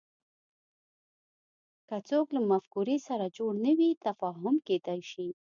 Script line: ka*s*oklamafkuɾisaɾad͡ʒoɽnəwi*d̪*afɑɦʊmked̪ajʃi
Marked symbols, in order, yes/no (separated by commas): no, no